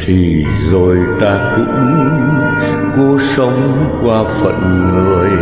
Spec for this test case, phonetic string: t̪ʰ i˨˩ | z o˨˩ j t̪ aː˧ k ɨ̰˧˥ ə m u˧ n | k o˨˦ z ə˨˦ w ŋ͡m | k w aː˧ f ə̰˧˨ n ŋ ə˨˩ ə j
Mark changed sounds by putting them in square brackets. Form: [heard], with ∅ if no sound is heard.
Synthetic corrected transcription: t̪ʰ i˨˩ | z o˨˩ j t̪ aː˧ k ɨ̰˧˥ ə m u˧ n | k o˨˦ [s] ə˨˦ w ŋ͡m | k w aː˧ f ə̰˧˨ n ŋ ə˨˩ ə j